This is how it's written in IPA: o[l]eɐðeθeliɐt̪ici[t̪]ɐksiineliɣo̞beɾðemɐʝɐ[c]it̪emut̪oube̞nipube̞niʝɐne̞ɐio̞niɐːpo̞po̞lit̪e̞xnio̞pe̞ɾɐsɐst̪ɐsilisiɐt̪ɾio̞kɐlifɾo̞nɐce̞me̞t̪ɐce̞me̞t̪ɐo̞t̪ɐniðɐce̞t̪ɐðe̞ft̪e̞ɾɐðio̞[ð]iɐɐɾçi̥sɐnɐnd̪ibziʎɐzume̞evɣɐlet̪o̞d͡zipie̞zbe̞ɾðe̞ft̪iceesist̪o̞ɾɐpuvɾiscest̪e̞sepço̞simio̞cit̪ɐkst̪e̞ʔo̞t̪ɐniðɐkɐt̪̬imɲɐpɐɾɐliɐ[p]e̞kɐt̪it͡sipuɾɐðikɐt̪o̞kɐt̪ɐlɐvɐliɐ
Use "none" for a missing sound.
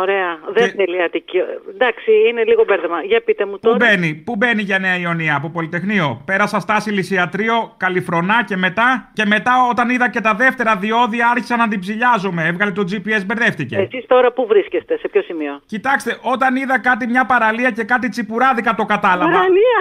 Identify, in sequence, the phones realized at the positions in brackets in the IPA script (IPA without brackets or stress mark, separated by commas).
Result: ɾ, d̪, p, ð, c